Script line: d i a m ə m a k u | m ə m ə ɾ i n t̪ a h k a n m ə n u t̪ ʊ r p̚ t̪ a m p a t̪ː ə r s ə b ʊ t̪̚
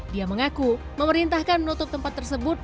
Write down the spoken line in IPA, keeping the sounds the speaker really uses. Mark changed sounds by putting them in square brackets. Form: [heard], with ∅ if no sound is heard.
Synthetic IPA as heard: d i a m ə [ŋ] a k u | m ə m ə ɾ i n t̪ a h k a n m ə n u t̪ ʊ [∅] p̚ t̪ [ə] m p a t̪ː ə r s ə b ʊ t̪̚